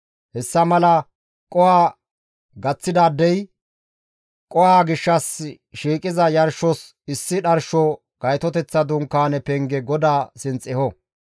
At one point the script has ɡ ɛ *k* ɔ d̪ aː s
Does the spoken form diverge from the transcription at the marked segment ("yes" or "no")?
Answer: yes